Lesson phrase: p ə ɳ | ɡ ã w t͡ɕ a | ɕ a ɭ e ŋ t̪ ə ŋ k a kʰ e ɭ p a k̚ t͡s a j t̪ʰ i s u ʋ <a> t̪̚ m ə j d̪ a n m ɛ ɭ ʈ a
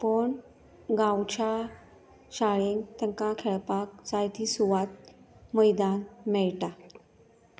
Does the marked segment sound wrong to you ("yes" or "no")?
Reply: no